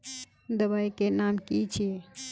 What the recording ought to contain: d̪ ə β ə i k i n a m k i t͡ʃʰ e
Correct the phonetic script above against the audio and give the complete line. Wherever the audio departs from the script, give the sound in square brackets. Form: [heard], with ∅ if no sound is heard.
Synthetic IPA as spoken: d̪ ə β [a] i k [e] n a m k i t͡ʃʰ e